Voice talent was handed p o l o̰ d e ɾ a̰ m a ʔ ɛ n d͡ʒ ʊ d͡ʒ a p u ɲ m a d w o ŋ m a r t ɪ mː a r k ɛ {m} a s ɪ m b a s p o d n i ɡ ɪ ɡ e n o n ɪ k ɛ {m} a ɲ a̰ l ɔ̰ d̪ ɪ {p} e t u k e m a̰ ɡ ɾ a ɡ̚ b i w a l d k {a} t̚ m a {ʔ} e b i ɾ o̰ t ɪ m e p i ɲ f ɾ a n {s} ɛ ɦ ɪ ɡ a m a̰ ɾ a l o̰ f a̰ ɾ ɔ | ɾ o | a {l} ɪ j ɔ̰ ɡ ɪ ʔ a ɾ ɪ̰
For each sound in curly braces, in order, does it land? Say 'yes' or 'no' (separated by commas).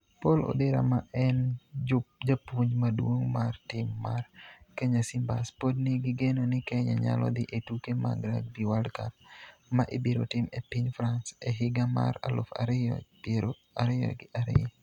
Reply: no, no, no, yes, yes, yes, no